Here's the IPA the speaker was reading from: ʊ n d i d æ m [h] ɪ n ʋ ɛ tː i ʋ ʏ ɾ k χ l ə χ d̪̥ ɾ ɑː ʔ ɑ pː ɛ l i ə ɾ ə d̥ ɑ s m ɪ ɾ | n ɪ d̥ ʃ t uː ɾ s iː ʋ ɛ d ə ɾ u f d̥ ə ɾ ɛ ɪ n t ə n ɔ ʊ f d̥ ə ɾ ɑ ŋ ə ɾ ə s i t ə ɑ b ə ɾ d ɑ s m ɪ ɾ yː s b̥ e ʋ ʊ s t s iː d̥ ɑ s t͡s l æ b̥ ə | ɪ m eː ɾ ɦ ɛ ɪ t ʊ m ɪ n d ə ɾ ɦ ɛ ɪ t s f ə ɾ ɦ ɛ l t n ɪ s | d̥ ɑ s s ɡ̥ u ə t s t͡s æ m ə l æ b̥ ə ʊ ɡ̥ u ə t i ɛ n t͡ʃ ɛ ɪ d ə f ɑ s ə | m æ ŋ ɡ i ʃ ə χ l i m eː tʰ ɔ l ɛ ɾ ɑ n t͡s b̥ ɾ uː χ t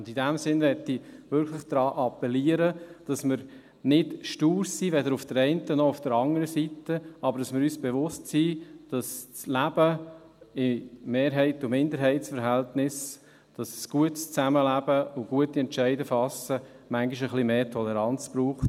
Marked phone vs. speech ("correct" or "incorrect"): incorrect